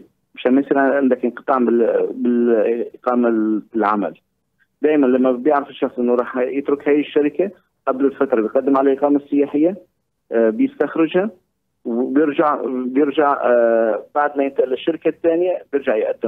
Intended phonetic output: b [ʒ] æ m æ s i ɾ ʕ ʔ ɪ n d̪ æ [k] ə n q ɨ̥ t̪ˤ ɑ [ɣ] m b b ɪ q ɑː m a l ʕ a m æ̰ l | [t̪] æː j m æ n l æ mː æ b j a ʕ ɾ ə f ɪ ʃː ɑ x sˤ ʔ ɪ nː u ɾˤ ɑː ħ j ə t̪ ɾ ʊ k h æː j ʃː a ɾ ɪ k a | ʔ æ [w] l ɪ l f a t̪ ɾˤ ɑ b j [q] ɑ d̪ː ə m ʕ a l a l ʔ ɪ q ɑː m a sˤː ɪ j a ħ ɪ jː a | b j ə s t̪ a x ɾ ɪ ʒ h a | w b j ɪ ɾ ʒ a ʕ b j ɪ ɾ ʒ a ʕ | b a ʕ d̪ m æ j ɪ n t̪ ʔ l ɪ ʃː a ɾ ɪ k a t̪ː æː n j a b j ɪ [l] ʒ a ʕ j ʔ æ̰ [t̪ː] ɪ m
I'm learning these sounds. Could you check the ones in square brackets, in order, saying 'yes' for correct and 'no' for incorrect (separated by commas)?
no, yes, no, no, no, yes, no, no